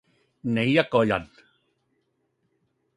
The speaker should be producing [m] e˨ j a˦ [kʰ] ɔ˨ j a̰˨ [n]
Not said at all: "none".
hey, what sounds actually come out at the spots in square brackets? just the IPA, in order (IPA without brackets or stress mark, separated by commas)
n, k, n